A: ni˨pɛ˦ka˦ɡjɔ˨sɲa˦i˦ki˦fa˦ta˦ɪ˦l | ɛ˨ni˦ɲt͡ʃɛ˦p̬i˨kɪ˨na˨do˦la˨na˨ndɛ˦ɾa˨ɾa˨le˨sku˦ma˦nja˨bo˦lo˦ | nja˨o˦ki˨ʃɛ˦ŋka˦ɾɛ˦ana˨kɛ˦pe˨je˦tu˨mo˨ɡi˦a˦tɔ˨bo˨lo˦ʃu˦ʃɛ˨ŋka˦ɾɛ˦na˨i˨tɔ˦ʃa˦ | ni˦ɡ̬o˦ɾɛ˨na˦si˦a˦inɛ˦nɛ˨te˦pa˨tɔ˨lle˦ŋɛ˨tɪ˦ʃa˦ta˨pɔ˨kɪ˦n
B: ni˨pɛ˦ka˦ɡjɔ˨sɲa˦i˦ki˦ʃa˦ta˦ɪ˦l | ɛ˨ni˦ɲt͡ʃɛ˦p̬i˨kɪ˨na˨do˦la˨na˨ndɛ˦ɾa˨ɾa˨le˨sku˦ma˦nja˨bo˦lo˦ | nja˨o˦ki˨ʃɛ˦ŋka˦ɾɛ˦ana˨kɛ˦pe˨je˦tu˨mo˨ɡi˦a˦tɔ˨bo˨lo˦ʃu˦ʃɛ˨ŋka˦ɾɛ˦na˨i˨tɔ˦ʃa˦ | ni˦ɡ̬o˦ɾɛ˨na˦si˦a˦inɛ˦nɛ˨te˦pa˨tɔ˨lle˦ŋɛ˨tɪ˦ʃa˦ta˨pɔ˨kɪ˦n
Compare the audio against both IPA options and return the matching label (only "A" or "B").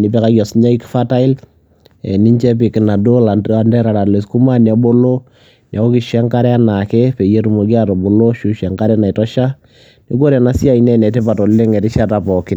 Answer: A